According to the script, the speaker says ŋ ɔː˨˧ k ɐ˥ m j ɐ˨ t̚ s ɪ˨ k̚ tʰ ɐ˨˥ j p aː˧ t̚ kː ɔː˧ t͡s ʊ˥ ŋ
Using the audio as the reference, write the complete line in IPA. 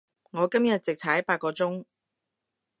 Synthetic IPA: ŋ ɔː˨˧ k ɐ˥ m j ɐ˨ t̚ t͡s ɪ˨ k̚ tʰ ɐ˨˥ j p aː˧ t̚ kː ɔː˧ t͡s ʊ˥ ŋ